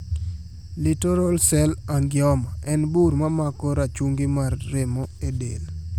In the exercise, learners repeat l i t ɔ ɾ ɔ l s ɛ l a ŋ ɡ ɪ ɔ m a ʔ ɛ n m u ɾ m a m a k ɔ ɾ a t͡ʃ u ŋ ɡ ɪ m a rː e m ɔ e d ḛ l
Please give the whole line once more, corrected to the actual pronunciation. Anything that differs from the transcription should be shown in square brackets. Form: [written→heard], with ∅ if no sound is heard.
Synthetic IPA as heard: l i t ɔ ɾ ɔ l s ɛ l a ŋ ɡ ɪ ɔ m a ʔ ɛ n [m→b] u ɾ m a m a k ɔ ɾ a t͡ʃ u ŋ ɡ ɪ m a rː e m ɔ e d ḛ l